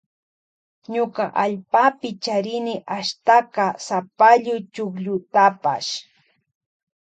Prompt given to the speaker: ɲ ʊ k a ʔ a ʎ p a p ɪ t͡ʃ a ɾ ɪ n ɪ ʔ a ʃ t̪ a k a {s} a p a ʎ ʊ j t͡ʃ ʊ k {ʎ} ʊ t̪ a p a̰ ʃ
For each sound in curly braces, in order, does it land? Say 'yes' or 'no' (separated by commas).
yes, yes